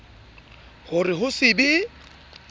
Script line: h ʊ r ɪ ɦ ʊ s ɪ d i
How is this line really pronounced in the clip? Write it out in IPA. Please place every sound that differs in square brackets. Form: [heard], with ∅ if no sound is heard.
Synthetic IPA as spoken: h ʊ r ɪ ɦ ʊ s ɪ [b] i